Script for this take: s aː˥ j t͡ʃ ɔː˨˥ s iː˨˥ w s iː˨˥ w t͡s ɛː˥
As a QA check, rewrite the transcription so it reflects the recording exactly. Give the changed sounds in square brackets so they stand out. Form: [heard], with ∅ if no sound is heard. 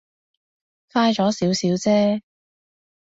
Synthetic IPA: [f] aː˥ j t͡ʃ ɔː˨˥ s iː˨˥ w s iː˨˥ w t͡s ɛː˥

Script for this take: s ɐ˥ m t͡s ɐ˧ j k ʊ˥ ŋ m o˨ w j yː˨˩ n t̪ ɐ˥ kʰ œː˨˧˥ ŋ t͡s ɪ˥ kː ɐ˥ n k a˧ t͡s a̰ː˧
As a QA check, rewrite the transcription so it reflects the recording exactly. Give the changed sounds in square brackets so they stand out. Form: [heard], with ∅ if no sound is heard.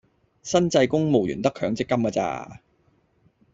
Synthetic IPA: s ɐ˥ [n] t͡s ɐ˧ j k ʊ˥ ŋ m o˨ w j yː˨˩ n t̪ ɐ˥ kʰ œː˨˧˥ ŋ t͡s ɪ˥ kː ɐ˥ [m] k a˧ t͡s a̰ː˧

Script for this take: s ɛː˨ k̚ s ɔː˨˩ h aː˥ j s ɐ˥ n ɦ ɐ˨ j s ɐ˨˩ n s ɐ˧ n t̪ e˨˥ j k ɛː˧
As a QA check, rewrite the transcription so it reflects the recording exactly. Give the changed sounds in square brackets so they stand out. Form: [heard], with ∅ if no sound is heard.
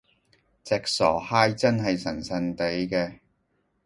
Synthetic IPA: [t͡s] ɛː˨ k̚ s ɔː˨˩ h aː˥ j [t͡s] ɐ˥ n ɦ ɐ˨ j s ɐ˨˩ n s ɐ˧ n t̪ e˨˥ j k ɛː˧

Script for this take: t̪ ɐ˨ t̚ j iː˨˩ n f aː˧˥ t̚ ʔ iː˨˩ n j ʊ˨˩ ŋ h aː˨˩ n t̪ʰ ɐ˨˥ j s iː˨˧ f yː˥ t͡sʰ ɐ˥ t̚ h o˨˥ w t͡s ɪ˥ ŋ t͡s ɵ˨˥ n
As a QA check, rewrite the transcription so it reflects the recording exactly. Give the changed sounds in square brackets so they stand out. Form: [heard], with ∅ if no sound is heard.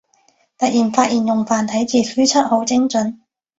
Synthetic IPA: t̪ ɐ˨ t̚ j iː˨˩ n f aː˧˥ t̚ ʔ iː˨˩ n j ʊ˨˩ ŋ [f] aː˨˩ n t̪ʰ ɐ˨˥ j [t͡s] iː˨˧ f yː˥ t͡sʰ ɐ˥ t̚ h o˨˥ w t͡s ɪ˥ ŋ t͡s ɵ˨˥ n

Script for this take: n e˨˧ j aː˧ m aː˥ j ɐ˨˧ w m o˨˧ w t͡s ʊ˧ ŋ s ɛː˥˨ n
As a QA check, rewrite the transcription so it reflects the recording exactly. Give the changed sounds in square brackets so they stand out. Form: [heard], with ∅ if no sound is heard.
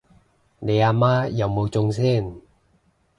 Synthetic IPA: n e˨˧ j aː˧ m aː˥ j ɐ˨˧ w m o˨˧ w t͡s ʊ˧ ŋ s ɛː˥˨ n

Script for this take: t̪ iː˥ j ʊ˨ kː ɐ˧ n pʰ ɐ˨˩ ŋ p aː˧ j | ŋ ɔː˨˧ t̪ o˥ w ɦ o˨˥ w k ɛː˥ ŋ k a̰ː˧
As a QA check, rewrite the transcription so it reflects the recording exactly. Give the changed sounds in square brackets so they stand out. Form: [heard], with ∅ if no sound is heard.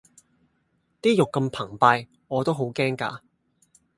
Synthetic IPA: t̪ iː˥ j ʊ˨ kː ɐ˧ [m] pʰ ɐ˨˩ ŋ p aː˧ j | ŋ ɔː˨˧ t̪ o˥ w ɦ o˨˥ w k ɛː˥ ŋ k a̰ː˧

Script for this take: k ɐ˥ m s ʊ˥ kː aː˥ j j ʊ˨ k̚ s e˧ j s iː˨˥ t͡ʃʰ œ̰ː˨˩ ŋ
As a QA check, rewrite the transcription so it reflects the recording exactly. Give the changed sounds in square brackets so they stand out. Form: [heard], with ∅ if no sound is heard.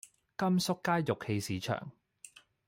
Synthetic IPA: k ɐ˥ m s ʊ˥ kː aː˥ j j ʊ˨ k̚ [h] e˧ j s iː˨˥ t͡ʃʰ œ̰ː˨˩ ŋ

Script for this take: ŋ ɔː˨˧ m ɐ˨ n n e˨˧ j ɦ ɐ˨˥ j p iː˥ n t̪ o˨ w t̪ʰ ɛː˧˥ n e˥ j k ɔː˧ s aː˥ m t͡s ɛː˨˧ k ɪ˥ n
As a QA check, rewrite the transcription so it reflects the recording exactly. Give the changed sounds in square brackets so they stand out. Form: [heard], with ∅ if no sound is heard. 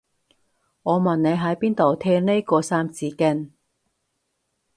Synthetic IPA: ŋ ɔː˨˧ m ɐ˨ n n e˨˧ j ɦ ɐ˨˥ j p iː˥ n t̪ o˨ w t̪ʰ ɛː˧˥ n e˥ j k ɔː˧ s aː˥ m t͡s [iː˨˧] k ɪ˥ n

